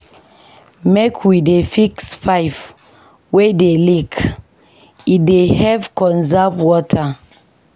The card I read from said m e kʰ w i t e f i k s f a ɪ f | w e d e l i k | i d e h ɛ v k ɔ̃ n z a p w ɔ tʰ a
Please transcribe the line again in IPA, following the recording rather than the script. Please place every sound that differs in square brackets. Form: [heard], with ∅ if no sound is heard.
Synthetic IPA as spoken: m e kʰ w i [d] e f i k s f a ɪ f | w e d e l i k | i d e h ɛ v k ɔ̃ n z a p w ɔ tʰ a